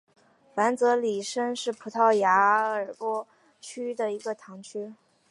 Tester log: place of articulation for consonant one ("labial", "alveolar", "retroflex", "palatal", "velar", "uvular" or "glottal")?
labial